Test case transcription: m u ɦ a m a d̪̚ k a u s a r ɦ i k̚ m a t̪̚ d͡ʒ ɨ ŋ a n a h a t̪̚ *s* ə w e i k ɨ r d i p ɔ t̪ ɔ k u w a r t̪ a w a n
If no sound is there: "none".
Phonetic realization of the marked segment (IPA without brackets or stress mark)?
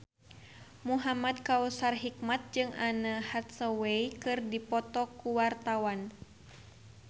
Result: s